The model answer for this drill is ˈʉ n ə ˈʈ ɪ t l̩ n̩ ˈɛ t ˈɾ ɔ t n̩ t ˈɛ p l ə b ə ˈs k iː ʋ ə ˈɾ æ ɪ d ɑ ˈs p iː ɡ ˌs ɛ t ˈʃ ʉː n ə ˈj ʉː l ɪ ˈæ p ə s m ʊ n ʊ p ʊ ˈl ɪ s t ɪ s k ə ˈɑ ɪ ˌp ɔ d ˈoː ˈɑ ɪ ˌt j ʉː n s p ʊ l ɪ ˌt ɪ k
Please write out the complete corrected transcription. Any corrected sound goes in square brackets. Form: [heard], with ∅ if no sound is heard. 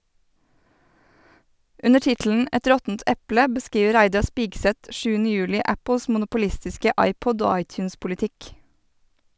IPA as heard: ˈʉ n ə ˈʈ ɪ t l̩ n̩ ˈɛ t ˈɾ ɔ t n̩ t ˈɛ p l ə b ə ˈs k iː ʋ ə ˈɾ æ ɪ d ɑ ˈs p iː ɡ ˌs ɛ t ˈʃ ʉː n ə ˈj ʉː l ɪ ˈæ p ə s m ʊ n ʊ p ʊ ˈl ɪ s t ɪ s k ə ˈɑ ɪ ˌp ɔ d ˈoː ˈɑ ɪ ˌt j ʉː n s p ʊ l ɪ ˌt ɪ k